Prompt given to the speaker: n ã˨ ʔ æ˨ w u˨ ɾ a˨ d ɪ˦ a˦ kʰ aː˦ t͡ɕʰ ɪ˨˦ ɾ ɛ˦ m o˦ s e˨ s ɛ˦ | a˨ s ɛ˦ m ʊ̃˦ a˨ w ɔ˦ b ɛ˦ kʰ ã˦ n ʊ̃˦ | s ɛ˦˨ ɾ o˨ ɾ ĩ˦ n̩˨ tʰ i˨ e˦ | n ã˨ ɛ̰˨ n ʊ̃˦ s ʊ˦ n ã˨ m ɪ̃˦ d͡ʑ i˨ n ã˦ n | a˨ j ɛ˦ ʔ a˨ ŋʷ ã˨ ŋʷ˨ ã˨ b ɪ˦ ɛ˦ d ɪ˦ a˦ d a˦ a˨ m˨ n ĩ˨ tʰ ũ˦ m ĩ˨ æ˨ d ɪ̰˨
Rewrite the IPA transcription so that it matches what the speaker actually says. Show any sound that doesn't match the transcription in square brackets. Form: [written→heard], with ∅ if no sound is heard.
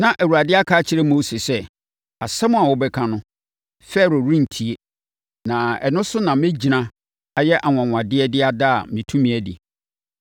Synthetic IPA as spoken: n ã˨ ʔ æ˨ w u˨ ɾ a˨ d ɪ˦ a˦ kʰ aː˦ t͡ɕʰ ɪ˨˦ ɾ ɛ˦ m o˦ s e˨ s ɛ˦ | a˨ s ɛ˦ m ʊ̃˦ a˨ w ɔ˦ b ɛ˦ kʰ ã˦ n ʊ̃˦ | [s→f] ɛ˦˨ ɾ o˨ ɾ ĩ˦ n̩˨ tʰ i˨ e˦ | n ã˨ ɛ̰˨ n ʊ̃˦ s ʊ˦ n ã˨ m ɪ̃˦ d͡ʑ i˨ n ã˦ [n→∅] | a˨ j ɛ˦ ʔ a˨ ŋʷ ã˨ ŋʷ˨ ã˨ [b→d] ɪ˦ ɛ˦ d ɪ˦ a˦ d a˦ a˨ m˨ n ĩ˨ tʰ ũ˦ m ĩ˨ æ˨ d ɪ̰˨